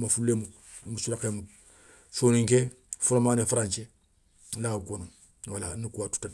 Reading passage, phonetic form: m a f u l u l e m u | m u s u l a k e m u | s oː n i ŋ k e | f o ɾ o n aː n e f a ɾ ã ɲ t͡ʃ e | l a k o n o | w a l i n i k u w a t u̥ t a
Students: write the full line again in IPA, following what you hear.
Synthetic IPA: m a f u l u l e m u | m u s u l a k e m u | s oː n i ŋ k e | f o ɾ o m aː n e f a ɾ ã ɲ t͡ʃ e | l a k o n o | w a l a n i k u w a t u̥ t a